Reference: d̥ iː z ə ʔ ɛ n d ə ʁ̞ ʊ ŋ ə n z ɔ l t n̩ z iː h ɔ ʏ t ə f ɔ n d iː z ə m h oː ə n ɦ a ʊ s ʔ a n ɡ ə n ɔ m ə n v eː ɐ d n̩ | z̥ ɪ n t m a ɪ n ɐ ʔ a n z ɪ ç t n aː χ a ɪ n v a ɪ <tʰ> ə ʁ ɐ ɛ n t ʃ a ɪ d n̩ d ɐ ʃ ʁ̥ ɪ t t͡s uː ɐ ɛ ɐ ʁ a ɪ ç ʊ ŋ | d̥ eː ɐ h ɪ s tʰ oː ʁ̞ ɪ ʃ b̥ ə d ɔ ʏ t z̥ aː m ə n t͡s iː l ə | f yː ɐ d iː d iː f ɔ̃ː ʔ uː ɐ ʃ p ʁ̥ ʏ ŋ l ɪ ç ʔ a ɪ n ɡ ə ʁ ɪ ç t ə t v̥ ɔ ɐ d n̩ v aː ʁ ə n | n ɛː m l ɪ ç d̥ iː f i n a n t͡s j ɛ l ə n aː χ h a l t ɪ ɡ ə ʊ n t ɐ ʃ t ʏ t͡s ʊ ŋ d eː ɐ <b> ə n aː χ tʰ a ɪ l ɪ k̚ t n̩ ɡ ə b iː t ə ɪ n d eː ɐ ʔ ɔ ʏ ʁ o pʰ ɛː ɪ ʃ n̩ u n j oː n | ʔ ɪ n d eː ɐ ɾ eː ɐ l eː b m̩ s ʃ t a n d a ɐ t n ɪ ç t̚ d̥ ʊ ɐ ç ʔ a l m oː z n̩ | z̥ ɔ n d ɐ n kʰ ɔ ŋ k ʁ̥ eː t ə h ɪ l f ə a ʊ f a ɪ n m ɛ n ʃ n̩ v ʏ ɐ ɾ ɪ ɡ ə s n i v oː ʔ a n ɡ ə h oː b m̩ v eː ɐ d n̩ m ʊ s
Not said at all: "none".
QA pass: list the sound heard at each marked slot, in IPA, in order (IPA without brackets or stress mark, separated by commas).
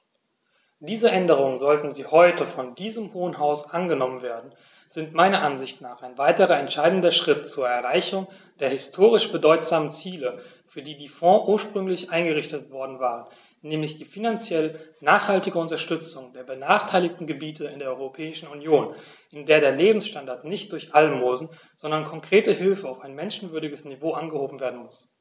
t, b